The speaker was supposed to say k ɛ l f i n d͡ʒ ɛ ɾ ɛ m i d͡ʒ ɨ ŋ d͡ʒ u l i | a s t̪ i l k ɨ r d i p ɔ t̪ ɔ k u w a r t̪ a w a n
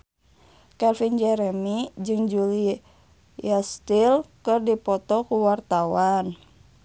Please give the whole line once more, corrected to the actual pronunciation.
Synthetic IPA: k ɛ l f i n d͡ʒ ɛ ɾ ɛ m i d͡ʒ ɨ ŋ d͡ʒ u l i | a s t̪ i l k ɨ r d i p ɔ t̪ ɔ k u w a r t̪ a w a n